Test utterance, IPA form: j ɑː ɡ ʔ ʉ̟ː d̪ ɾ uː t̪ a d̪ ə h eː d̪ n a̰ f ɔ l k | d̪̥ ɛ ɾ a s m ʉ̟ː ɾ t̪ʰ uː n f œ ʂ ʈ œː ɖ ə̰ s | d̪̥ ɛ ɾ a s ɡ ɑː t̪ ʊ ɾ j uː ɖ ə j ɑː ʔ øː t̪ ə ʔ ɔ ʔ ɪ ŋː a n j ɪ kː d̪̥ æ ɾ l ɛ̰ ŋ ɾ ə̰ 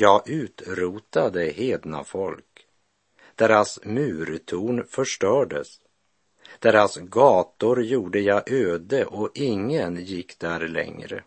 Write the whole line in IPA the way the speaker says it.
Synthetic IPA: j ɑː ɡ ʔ ʉ̟ː t̪ ɾ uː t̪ a d̪ ə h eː d̪ n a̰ f ɔ l k | d̪̥ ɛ ɾ a s m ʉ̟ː ɾ t̪ʰ uː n f œ ʂ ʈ œː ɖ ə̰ s | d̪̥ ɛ ɾ a s ɡ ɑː t̪ ʊ ɾ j uː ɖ ə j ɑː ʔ øː d̪ ə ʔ ɔ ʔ ɪ ŋː ə n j ɪ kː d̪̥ æ ɾ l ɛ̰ ŋ ɾ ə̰